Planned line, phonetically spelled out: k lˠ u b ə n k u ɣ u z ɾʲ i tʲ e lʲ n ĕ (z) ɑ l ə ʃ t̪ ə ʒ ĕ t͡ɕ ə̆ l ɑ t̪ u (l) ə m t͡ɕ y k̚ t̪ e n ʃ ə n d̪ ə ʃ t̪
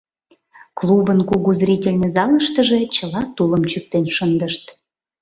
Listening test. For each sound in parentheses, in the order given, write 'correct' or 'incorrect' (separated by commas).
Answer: correct, correct